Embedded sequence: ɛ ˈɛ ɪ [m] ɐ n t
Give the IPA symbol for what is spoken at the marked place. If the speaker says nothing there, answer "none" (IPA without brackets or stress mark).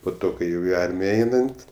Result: n